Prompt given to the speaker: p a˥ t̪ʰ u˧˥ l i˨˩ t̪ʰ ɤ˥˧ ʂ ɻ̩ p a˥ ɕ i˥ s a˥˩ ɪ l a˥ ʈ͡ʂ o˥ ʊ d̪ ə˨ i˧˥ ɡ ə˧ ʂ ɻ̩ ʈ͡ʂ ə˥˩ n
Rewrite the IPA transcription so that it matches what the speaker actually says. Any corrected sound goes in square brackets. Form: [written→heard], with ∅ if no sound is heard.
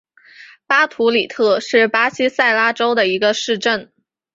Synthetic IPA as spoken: p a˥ t̪ʰ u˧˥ l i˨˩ t̪ʰ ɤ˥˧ ʂ ɻ̩ p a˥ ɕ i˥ s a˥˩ ɪ l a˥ ʈ͡ʂ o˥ ʊ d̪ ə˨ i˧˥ ɡ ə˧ ʂ ɻ̩ ʈ͡ʂ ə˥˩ n